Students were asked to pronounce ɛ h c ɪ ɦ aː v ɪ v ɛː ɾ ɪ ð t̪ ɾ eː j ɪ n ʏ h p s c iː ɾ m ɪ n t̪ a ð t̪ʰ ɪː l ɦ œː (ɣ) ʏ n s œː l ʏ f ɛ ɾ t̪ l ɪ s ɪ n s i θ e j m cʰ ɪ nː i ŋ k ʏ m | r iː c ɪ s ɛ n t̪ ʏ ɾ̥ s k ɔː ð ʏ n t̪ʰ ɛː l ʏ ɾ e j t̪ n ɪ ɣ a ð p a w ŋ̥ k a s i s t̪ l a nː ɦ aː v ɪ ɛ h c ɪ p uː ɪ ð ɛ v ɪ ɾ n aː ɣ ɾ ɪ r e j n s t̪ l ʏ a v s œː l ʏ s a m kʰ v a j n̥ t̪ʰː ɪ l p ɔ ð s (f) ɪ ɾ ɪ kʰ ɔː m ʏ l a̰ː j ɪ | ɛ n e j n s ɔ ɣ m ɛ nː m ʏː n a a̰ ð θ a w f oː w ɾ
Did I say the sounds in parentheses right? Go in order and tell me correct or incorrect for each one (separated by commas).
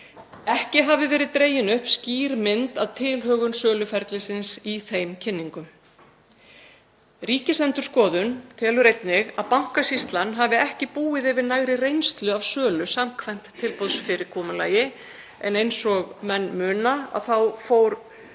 correct, correct